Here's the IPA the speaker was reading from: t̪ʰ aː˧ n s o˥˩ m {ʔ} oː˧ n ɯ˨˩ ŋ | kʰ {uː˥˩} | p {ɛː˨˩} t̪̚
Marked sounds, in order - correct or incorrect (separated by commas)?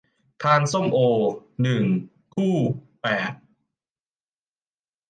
correct, correct, correct